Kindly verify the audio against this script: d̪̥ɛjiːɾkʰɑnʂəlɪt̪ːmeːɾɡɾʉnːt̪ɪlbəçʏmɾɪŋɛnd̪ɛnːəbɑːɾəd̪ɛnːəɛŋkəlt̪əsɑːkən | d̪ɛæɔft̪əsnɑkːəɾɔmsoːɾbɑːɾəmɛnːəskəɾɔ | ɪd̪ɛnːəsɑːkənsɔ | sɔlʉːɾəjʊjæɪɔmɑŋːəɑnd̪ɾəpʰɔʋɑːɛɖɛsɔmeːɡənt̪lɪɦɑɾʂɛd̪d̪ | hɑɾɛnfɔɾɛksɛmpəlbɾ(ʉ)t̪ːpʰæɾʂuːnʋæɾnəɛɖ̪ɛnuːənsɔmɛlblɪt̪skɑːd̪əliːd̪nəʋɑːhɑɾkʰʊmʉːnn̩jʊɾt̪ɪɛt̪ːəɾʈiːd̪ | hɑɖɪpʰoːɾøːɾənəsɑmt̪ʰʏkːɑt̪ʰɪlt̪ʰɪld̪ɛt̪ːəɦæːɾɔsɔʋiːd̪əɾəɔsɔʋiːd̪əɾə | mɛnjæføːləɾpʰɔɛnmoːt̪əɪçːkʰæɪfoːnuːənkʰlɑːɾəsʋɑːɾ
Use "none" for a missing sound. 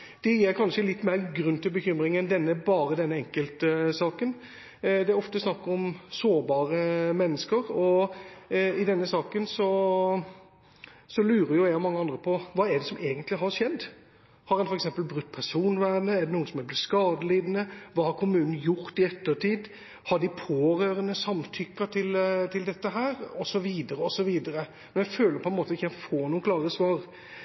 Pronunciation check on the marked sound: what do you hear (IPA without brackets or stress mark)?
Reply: ʉ